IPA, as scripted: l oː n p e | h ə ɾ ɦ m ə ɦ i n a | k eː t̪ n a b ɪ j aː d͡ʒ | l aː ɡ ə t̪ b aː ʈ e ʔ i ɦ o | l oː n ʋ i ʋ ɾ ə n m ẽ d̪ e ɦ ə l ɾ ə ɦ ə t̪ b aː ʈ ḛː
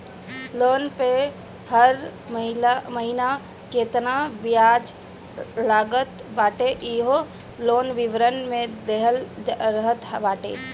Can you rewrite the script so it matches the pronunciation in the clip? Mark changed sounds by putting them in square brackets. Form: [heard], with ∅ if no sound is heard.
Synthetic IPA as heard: l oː n p e | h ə ɾ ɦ m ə ɦ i n a | k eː t̪ n a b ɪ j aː d͡ʒ | l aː ɡ ə t̪ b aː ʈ e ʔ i ɦ o | l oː n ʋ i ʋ ɾ ə n m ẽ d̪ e ɦ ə l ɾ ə ɦ ə t̪ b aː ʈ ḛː